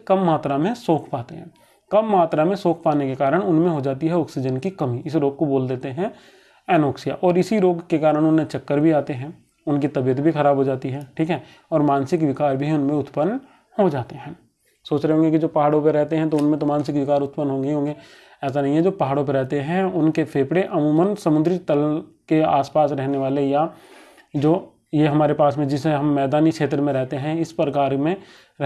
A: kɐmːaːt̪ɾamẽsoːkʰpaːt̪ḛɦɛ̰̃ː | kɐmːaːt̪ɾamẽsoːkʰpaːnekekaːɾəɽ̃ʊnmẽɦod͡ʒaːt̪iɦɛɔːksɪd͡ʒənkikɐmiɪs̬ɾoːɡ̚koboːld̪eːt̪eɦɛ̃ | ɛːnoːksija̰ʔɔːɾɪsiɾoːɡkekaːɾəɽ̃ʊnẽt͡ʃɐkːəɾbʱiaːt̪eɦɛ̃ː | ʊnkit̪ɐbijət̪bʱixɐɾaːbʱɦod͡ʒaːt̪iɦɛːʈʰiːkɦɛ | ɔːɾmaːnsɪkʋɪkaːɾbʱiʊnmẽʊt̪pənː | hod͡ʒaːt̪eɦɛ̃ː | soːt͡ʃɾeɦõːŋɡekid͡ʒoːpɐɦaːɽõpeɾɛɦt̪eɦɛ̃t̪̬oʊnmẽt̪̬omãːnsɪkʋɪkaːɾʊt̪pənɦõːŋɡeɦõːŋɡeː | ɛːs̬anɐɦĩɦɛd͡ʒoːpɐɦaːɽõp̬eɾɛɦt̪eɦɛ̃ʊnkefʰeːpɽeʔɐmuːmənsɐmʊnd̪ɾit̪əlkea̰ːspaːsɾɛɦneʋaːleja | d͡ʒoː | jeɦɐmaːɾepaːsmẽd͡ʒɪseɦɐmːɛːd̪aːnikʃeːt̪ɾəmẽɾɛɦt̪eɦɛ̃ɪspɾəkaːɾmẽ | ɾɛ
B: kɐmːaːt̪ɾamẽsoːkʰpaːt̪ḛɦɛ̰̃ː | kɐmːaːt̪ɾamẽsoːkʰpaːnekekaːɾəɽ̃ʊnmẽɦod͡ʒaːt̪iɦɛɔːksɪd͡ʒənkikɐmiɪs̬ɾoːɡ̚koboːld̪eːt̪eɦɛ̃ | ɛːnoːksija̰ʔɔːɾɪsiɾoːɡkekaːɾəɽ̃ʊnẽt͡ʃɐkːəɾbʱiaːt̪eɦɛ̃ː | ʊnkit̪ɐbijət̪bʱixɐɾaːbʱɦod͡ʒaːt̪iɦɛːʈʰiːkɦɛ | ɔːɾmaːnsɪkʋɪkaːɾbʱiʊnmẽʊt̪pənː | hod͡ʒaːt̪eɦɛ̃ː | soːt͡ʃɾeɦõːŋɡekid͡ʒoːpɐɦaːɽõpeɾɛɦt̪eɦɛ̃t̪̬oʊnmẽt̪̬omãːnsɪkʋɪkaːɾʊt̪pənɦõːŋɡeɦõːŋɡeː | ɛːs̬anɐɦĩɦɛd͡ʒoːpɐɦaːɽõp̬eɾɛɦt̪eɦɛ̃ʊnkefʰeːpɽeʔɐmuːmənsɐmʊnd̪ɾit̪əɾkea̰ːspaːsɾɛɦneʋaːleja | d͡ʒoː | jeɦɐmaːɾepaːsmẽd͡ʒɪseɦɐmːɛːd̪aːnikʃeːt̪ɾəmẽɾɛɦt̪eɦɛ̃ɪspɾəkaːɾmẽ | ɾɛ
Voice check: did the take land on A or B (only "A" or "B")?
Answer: A